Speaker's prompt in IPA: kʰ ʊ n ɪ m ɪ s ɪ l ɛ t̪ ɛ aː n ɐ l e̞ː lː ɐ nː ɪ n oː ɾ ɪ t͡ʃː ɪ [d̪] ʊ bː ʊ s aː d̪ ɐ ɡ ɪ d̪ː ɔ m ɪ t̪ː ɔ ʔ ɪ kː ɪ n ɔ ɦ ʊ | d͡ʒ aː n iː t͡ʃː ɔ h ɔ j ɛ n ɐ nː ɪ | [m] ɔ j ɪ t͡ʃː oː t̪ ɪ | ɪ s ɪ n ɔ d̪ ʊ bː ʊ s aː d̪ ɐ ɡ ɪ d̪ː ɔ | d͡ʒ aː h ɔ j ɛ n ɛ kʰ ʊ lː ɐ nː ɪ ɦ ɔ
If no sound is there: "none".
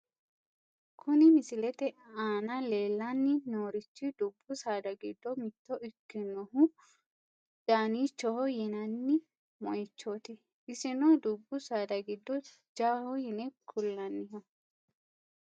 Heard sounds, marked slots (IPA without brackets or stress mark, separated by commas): d̪, m